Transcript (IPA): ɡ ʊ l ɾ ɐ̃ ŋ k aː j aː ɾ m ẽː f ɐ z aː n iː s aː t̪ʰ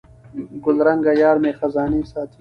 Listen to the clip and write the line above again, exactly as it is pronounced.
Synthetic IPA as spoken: ɡ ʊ l ɾ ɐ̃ ŋ ɡ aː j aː ɾ m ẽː x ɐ z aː n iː s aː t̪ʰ